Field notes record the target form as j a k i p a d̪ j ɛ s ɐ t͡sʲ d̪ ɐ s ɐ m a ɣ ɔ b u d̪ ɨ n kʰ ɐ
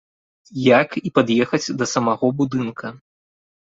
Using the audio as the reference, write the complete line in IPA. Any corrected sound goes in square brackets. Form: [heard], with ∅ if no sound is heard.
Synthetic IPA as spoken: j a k i p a d̪ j ɛ [x] ɐ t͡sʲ d̪ ɐ s ɐ m a ɣ ɔ b u d̪ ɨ n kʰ ɐ